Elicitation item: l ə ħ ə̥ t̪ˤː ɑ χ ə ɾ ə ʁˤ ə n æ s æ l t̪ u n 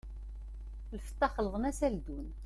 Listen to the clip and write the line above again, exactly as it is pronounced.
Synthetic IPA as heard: l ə f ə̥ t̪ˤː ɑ χ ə l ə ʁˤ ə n æ s æ l d̪ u n